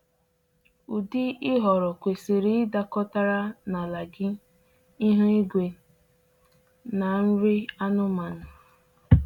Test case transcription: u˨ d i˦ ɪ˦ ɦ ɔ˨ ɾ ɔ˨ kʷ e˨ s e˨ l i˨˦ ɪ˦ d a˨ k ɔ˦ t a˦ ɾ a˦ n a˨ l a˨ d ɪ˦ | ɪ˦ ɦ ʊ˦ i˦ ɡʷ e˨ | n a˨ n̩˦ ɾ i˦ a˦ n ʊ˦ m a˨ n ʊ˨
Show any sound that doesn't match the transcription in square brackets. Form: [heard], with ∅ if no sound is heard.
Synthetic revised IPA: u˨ d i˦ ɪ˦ ɦ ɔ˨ ɾ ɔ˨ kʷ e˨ s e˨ [ɾ] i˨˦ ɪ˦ d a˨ k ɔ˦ t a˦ ɾ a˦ n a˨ l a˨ [ɡ] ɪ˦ | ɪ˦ ɦ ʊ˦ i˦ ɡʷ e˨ | n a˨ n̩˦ ɾ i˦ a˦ n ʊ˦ m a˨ n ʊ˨

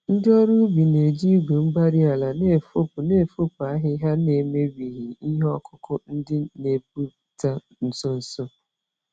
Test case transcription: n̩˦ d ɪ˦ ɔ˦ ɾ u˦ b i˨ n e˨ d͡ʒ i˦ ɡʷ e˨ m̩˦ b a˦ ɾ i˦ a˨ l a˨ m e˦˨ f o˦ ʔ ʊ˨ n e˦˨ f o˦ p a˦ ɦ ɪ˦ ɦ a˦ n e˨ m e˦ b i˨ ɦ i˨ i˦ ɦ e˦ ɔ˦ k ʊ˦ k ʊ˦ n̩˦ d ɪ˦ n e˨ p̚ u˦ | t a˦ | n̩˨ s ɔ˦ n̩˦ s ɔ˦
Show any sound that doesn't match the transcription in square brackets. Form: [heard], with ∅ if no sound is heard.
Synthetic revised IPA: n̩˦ d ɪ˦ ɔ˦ ɾ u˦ b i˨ n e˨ d͡ʒ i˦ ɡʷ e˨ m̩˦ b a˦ ɾ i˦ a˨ l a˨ [n] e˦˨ f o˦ [p] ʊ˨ n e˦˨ f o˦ p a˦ ɦ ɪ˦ ɦ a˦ n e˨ m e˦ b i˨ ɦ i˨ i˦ ɦ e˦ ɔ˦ k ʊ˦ k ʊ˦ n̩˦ d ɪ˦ n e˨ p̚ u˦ | t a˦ | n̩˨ s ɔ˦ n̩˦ s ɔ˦

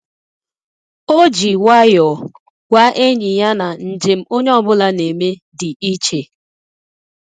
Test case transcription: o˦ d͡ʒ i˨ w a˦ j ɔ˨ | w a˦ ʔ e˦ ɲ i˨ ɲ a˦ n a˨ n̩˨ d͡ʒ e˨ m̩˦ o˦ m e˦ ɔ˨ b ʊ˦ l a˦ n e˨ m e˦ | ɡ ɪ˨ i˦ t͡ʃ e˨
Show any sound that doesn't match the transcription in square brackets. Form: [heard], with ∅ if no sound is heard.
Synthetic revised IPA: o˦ d͡ʒ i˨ w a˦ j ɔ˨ | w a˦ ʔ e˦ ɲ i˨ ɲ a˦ n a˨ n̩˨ d͡ʒ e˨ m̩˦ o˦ [ɲ] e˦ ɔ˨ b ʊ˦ l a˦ n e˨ m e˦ | [d] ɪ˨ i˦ t͡ʃ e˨

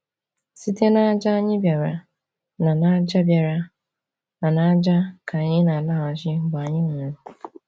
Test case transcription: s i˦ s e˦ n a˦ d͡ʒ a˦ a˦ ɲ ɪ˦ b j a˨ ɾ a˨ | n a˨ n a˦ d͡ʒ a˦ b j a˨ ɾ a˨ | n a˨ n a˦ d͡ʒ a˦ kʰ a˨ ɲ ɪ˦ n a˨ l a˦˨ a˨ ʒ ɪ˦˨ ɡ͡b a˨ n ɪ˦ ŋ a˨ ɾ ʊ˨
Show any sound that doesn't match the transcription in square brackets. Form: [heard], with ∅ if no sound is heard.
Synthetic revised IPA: s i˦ [t] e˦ n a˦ d͡ʒ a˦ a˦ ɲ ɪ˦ b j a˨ ɾ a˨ | n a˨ n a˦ d͡ʒ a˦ b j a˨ ɾ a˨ | n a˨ n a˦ d͡ʒ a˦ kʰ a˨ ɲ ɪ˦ n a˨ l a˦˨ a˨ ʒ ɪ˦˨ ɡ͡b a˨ [ɲ] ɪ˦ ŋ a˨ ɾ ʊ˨

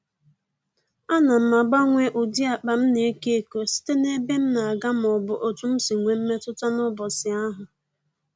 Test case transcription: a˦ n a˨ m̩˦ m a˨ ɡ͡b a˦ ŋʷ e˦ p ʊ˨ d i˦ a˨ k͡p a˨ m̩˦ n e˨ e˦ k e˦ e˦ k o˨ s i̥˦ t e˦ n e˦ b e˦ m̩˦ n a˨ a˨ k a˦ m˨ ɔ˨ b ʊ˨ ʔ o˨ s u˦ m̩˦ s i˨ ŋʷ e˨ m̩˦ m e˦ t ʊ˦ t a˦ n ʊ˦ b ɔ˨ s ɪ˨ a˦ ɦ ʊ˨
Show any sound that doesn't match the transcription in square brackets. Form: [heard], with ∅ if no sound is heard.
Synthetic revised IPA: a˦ n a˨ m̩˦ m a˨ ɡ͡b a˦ ŋʷ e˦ [ʔ] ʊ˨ d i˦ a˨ k͡p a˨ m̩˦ n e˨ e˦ k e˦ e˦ k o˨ s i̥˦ t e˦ n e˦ b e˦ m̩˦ n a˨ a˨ [ɡ] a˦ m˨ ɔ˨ b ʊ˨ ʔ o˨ [t] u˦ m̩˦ s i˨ ŋʷ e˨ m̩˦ m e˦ t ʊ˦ t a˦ n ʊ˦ b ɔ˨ s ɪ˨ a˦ ɦ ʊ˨

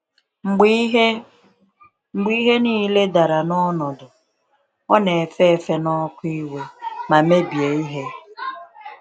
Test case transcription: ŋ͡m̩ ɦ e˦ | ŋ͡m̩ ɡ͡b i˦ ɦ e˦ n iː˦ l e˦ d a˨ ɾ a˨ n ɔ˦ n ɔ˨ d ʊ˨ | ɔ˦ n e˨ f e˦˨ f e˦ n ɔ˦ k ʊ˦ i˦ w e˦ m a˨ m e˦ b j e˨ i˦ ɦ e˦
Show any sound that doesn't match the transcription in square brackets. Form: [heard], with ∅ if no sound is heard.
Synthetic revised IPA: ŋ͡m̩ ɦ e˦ | ŋ͡m̩ ɡ͡b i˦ ɦ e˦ n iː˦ l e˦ d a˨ ɾ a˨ n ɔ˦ n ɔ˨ d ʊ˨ | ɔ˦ n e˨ f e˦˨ f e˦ n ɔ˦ k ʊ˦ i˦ w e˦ m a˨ m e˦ b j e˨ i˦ ɦ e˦

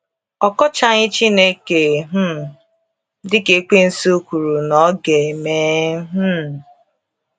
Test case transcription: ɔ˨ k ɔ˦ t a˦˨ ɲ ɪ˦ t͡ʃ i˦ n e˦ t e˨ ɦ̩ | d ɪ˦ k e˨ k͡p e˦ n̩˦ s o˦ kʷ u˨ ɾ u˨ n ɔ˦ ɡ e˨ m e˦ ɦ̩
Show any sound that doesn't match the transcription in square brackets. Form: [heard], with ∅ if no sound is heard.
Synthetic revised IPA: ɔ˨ k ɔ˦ [t͡ʃ] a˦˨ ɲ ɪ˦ t͡ʃ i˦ n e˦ [k] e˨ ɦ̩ | d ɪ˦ k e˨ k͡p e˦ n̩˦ s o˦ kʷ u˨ ɾ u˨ n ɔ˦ ɡ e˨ m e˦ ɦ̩

